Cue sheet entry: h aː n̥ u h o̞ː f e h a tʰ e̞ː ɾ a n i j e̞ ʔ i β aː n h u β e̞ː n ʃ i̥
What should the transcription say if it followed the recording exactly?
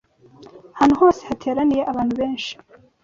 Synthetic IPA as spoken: h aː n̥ u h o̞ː s e h a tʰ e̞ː ɾ a n i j e̞ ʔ a β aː n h u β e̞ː n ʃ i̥